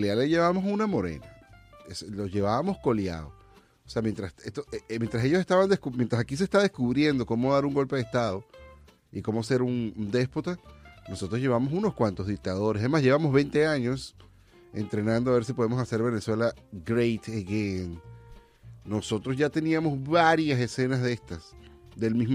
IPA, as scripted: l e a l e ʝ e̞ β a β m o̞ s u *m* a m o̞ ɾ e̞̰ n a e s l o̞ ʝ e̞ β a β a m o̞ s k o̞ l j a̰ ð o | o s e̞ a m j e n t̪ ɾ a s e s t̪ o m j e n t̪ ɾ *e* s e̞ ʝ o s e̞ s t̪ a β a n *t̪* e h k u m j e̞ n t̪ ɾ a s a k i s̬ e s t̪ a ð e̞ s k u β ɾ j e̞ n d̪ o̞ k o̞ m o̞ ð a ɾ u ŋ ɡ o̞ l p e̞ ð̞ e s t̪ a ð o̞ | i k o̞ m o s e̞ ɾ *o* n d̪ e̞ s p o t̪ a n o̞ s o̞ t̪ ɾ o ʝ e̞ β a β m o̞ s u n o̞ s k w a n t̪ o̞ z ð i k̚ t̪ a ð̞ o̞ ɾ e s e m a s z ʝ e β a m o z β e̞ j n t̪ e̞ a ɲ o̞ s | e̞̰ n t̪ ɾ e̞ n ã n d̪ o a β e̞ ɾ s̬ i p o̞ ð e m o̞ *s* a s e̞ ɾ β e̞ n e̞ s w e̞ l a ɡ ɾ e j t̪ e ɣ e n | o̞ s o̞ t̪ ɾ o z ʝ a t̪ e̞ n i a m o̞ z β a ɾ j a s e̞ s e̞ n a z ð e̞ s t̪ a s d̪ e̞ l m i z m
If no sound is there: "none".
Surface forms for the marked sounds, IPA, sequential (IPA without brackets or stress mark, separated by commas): n, a, d̪, u, s